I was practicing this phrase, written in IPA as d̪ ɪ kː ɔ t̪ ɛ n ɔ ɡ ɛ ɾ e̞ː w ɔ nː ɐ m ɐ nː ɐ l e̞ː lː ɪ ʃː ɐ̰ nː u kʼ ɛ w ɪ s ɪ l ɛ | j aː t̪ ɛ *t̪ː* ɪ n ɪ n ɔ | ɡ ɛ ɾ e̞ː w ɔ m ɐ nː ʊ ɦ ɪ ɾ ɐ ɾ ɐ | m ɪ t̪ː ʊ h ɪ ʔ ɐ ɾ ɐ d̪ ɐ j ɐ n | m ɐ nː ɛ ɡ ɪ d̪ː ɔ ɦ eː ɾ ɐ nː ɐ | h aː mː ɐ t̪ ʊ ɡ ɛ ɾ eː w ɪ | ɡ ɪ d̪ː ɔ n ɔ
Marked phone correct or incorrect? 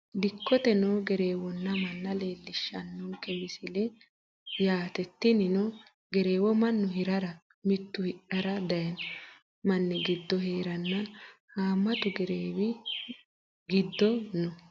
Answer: correct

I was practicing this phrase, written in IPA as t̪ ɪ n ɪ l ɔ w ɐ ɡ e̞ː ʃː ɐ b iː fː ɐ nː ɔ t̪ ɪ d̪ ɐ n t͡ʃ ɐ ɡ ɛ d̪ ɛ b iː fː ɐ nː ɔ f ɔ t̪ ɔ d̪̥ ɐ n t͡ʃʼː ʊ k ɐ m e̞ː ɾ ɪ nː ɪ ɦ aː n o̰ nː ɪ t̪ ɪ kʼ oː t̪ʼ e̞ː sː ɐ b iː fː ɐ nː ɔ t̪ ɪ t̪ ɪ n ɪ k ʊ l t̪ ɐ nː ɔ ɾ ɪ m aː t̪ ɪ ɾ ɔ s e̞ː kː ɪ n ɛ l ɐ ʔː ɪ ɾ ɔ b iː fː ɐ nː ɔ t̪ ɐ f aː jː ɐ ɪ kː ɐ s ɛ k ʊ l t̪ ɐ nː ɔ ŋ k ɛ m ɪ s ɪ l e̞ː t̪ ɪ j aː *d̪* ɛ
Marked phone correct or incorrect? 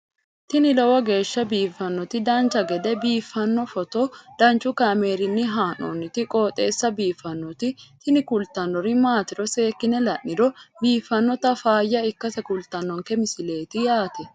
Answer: incorrect: t̪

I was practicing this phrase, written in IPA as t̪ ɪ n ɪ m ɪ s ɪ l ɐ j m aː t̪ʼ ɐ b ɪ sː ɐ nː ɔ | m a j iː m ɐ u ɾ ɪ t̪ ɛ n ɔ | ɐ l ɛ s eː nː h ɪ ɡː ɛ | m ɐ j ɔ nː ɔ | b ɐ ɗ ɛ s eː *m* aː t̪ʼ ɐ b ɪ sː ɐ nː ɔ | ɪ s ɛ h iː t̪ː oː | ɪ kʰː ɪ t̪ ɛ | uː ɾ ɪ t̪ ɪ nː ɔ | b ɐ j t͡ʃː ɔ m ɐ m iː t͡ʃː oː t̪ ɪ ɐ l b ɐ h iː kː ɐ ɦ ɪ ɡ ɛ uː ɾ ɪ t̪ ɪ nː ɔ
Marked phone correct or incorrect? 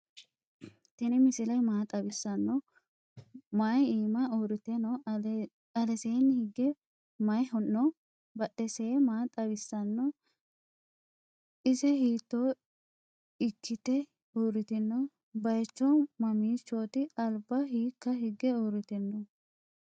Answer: correct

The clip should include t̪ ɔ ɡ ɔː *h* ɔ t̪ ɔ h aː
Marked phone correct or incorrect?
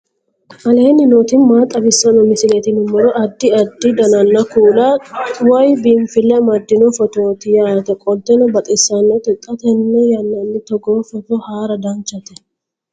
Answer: incorrect: f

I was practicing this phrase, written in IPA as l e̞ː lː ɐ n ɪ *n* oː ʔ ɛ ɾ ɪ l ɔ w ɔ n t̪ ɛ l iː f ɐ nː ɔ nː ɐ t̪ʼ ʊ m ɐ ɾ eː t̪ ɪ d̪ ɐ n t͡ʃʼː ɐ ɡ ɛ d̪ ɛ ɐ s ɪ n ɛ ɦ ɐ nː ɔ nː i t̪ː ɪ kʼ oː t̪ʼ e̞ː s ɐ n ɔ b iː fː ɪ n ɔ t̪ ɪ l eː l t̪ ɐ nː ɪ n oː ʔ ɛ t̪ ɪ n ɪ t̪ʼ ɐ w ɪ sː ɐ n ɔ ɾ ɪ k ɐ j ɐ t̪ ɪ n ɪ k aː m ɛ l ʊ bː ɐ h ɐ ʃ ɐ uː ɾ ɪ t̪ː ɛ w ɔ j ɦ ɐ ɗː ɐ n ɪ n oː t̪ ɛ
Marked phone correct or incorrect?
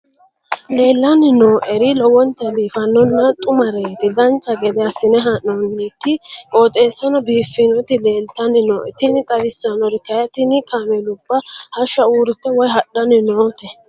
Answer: correct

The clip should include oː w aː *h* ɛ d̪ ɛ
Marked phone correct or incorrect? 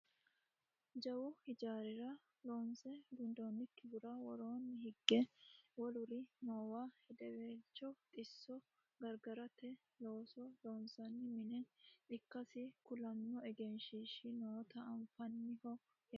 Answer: correct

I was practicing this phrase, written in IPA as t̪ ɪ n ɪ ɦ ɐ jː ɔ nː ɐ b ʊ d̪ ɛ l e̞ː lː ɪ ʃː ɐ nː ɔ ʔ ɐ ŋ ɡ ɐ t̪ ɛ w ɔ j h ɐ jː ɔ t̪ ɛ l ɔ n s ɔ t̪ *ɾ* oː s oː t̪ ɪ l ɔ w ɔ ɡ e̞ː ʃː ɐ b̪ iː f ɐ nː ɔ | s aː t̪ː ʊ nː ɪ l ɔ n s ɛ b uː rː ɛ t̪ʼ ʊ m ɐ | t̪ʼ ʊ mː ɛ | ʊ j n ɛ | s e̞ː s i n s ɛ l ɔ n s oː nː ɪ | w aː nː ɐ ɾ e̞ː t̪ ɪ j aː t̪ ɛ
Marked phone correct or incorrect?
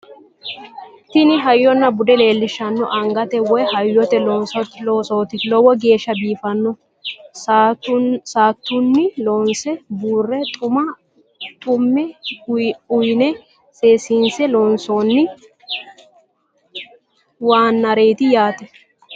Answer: incorrect: l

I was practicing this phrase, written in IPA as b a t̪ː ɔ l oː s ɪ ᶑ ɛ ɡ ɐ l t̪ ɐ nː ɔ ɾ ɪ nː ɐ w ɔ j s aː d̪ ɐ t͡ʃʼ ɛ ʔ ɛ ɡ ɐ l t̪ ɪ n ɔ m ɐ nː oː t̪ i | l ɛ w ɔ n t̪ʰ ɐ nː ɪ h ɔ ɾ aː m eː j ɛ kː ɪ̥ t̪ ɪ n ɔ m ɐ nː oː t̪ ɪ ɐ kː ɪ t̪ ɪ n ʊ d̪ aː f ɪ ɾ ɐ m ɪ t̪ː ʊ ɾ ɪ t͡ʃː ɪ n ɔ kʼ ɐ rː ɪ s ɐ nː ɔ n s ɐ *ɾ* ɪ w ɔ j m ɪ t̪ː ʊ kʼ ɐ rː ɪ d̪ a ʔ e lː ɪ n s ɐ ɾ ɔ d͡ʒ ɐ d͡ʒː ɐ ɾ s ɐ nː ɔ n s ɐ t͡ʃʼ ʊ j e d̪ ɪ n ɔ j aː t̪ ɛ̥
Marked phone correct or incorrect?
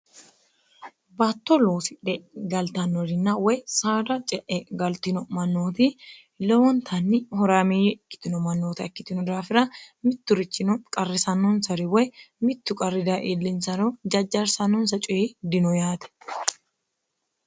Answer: correct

